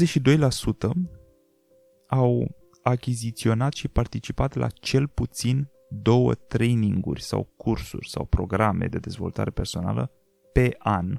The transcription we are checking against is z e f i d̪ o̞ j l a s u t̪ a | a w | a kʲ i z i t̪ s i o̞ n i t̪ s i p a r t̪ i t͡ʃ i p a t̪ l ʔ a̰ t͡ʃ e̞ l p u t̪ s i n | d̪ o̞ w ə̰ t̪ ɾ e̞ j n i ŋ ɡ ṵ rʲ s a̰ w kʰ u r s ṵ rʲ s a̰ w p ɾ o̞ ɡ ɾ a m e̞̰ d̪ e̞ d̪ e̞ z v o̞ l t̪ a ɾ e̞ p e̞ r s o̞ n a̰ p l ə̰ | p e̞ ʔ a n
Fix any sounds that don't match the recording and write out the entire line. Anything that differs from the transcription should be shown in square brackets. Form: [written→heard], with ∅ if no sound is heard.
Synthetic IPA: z e [f→ʃ] i d̪ o̞ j l a s u t̪ [a→ə] | a w | a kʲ i z i t̪ s i o̞ n [i→a] t̪ [s→ʃ] i p a r t̪ i t͡ʃ i p a t̪ l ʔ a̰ t͡ʃ e̞ l p u t̪ s i n | d̪ o̞ w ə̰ t̪ ɾ e̞ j n i ŋ ɡ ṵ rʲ s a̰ w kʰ u r s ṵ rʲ s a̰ w p ɾ o̞ ɡ ɾ a m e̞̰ d̪ e̞ d̪ e̞ z v o̞ l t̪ a ɾ e̞ p e̞ r s o̞ n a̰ [p→∅] l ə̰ | p e̞ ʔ a n